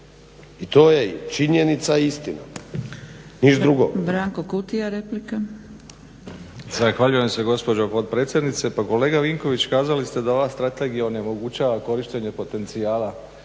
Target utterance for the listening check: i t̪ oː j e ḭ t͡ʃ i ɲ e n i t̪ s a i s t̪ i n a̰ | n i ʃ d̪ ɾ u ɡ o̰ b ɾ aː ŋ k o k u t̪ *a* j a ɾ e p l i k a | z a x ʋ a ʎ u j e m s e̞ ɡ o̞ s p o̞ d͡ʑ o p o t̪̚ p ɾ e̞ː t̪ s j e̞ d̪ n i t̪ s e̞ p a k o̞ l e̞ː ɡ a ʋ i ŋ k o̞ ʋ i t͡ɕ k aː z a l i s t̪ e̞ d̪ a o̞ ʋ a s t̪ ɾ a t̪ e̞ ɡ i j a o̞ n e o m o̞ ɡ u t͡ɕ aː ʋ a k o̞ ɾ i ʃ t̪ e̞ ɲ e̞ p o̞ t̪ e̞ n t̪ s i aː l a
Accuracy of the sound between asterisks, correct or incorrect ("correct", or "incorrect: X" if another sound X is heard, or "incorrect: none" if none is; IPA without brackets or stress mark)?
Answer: incorrect: i